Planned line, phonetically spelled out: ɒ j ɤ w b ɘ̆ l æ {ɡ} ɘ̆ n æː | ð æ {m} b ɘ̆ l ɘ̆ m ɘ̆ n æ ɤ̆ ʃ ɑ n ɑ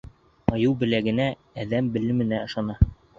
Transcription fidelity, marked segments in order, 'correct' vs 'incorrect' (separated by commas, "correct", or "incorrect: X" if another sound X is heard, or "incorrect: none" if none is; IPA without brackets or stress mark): correct, correct